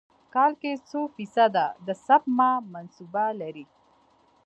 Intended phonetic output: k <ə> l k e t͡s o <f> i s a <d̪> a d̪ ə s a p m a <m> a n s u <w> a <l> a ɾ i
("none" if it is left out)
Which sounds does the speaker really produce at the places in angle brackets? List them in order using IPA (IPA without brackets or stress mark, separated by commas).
ɑ, f, d̪, m, b, l